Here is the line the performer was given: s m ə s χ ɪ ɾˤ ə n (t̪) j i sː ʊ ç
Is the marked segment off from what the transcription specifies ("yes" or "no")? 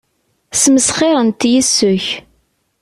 no